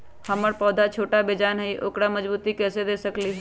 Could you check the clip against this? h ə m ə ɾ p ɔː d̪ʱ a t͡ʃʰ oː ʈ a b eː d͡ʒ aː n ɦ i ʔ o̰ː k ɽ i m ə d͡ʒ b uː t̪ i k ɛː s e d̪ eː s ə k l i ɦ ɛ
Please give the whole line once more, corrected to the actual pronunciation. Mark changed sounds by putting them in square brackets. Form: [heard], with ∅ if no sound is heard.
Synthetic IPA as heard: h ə m ə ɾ p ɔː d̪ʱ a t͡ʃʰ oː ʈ a b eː d͡ʒ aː n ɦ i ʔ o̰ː k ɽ [a] m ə d͡ʒ b uː t̪ i k ɛː s e d̪ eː s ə k l i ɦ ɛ